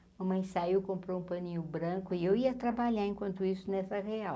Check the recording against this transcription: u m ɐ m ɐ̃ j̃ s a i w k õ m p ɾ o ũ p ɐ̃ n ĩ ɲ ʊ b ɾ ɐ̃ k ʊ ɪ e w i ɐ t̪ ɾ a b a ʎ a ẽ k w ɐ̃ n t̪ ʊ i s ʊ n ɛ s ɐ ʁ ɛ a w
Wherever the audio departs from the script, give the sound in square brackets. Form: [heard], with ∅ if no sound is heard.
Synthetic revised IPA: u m ɐ m ɐ̃ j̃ s a i w k õ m p ɾ o ũ p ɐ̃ n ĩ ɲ ʊ b ɾ ɐ̃ k ʊ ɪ e w i ɐ t̪ ɾ a b a ʎ a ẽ k w ɐ̃ n t̪ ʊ i s ʊ n ɛ s ɐ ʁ [e] a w